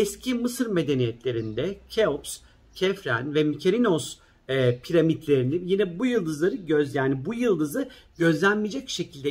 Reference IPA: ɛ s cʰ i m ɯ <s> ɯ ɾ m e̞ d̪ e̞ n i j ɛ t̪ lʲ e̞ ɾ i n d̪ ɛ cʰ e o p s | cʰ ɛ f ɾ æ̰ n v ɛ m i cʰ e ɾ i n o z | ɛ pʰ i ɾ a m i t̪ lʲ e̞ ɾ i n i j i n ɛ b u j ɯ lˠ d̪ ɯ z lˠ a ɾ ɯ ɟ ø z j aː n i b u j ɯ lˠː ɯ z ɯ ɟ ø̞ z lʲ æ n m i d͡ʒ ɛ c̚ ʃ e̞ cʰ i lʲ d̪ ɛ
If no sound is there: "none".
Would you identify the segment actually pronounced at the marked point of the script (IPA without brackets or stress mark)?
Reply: s